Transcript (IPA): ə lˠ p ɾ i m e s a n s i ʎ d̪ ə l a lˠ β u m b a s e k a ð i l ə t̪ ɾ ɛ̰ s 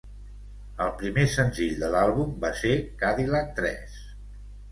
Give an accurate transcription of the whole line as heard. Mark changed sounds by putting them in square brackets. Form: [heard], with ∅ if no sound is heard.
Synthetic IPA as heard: ə lˠ p ɾ i m e s [ə] n [z] i ʎ d̪ ə l a lˠ β u m b a s e k a ð i l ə t̪ ɾ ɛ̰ s

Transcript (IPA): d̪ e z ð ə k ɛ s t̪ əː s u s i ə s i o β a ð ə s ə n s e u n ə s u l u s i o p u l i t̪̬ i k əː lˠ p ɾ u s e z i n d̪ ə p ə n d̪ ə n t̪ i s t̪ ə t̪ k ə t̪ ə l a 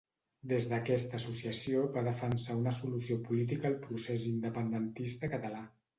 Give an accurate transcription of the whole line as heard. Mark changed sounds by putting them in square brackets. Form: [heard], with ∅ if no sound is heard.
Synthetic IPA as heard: d̪ e z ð ə k ɛ s t̪ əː s u s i ə s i o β a ð ə [f] ə n s [a] u n ə s u l u s i o p u l i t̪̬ i k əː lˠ p ɾ u s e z i n d̪ ə p ə n d̪ ə n t̪ i s t̪ ə [∅] k ə t̪ ə l a

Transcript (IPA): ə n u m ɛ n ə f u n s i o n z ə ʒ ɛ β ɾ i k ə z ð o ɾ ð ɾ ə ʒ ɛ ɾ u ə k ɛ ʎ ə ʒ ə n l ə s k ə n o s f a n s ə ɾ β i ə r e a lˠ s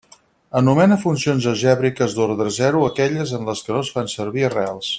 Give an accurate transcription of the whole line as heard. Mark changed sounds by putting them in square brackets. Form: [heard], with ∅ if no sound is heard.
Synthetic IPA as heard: ə n u m ɛ n ə f u n s i o n z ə ʒ ɛ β ɾ i k ə z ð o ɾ ð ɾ ə [z] ɛ ɾ u ə k ɛ ʎ ə [z] ə n l ə s k ə n o s f a n s ə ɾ β i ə r e a lˠ s

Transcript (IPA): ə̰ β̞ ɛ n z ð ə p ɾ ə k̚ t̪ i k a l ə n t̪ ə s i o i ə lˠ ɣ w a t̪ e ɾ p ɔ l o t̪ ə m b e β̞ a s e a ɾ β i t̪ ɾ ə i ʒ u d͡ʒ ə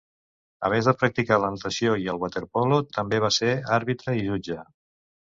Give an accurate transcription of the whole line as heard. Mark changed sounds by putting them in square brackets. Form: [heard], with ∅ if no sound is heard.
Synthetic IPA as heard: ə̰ β̞ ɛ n z ð ə p ɾ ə k̚ t̪ i k a l ə n t̪ ə s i o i ə lˠ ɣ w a t̪ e ɾ p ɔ l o t̪ ə m b e β̞ a s e a ɾ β i t̪ ɾ ə i ʒ u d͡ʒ ə

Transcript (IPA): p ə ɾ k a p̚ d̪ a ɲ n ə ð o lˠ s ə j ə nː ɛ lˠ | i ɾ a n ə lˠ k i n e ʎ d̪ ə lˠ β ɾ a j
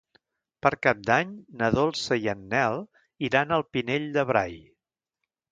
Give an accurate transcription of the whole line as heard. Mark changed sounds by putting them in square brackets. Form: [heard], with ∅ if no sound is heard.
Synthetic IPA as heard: p ə ɾ k a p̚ d̪ a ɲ n ə ð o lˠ s ə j ə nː ɛ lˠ | i ɾ a n ə lˠ [p] i n e ʎ d̪ ə [∅] β ɾ a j

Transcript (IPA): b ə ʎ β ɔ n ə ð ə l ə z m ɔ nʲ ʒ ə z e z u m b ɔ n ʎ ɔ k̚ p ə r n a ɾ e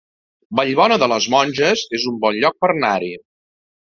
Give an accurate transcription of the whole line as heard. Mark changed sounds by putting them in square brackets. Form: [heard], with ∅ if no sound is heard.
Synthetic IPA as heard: b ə ʎ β ɔ n ə ð ə l ə z m ɔ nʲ ʒ ə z e z u m b ɔ n ʎ ɔ k̚ p ə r n a ɾ [i]

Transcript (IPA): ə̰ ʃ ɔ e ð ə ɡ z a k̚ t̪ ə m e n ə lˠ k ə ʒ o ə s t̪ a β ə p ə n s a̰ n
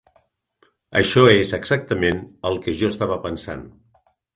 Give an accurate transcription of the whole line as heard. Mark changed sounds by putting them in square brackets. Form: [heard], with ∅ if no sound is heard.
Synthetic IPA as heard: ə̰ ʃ ɔ e [z] ə ɡ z a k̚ t̪ ə m e n ə lˠ k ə ʒ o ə s t̪ a β ə p ə n s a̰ n

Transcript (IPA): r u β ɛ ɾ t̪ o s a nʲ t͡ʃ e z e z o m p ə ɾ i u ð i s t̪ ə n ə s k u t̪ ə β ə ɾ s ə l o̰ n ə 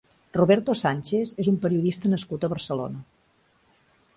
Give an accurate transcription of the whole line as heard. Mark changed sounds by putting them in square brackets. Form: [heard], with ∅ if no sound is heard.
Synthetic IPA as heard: r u β ɛ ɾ t̪ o s a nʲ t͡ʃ e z e z [u] m p ə ɾ i u ð i s t̪ ə n ə s k u t̪ ə β ə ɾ s ə l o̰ n ə

